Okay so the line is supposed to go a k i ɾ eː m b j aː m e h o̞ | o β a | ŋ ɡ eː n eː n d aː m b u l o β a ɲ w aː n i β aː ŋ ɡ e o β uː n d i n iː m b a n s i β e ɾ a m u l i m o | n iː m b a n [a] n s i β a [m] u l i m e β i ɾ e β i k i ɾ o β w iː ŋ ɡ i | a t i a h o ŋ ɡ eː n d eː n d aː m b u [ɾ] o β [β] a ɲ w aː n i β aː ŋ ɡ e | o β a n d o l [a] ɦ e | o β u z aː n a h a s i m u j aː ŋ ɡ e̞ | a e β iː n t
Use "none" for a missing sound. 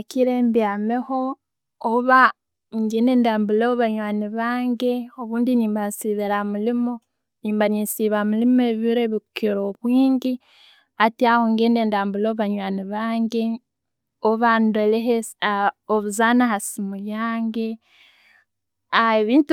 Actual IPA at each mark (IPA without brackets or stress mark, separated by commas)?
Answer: i, m, l, β, e